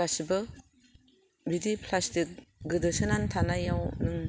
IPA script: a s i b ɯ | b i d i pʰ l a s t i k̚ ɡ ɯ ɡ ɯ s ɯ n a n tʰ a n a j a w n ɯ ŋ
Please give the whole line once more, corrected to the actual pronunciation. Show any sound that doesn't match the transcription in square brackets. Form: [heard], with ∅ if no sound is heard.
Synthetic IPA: a s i b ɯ | b i d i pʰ l a s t i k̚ ɡ ɯ [d] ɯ s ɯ n a n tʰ a n a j a w n ɯ ŋ